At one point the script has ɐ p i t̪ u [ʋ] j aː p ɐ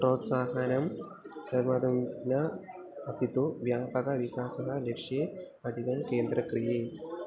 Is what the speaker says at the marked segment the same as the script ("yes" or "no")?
yes